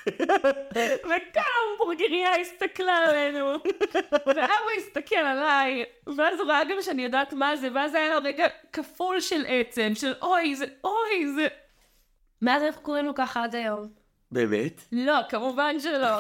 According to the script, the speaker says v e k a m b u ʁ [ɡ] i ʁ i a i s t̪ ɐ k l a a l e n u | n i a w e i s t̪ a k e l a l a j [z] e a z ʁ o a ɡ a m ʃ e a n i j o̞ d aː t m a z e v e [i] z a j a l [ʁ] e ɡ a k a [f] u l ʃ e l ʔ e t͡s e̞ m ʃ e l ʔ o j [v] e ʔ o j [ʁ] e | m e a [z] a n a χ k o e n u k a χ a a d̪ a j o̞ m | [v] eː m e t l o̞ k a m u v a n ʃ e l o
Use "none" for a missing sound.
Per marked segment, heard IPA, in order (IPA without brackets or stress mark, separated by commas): ɡ, v, a, ʁ, f, z, z, z, b